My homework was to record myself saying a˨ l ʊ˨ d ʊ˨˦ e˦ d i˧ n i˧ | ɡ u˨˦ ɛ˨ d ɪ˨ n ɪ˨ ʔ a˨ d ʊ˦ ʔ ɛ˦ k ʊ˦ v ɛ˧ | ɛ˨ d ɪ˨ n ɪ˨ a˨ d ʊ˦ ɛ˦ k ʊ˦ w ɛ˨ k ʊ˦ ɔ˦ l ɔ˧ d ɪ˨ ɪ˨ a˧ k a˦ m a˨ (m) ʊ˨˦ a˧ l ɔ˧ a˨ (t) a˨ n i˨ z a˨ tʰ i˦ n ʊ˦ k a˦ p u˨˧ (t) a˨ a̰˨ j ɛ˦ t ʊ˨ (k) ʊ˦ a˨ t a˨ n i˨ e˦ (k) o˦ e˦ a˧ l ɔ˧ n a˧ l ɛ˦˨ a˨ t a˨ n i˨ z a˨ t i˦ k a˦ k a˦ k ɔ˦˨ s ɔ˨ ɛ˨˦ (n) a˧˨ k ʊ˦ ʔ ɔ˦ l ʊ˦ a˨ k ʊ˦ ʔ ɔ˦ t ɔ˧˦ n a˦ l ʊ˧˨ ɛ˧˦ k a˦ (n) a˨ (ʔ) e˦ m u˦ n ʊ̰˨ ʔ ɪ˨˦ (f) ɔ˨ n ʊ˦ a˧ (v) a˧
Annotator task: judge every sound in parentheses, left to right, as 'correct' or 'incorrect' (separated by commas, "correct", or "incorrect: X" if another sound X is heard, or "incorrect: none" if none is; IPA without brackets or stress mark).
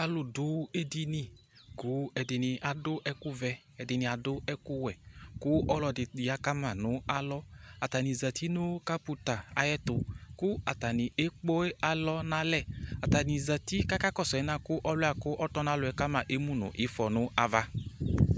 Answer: incorrect: n, correct, correct, correct, incorrect: k͡p, correct, incorrect: m, correct, correct, correct